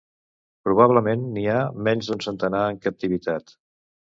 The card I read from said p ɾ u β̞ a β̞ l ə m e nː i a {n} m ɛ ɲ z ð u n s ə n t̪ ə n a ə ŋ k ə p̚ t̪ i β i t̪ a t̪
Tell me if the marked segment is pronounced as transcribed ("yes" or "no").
no